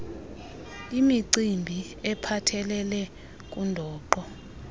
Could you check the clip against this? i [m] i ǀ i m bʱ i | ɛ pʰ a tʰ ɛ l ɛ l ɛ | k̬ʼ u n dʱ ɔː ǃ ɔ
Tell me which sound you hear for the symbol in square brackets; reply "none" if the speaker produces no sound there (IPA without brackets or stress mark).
m